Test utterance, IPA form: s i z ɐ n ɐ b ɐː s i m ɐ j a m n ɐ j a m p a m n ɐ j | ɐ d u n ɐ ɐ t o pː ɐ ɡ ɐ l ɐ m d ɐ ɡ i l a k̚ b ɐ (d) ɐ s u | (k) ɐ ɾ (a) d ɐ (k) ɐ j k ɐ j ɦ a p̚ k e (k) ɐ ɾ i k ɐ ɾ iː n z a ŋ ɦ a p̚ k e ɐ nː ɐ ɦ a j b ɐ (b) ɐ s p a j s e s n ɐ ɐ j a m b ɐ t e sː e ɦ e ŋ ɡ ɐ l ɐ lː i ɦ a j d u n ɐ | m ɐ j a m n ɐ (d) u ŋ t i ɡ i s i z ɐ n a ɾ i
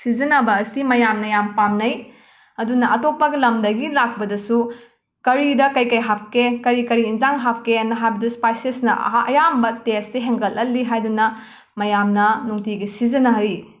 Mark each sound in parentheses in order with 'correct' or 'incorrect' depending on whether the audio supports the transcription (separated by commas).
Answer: correct, correct, incorrect, correct, correct, incorrect, incorrect